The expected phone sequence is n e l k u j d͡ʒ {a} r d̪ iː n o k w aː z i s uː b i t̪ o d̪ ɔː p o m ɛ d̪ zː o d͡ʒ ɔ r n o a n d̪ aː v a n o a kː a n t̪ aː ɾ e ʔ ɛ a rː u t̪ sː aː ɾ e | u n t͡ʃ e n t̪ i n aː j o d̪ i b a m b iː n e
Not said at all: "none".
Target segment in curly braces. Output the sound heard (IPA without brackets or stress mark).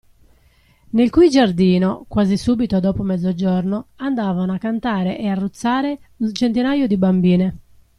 a